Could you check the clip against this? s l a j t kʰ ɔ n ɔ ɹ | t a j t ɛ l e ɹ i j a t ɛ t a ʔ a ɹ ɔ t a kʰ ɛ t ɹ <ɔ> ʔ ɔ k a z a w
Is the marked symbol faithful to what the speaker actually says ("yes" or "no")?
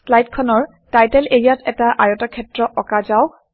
yes